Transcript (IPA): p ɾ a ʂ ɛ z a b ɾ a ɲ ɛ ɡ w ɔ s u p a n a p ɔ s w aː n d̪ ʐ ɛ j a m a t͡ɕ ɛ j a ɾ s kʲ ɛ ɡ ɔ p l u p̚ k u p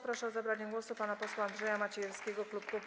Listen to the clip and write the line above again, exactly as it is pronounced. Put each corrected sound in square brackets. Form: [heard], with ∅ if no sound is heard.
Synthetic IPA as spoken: p ɾ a ʂ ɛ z a b ɾ a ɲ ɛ ɡ w ɔ s u p a n a p ɔ s w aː n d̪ ʐ ɛ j a m a t͡ɕ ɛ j [ɛ] ɾ s kʲ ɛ ɡ ɔ [k] l u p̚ k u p